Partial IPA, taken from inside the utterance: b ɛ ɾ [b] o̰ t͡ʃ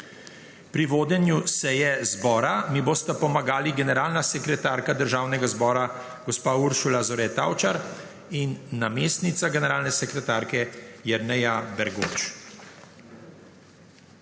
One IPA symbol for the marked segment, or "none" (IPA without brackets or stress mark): ɡ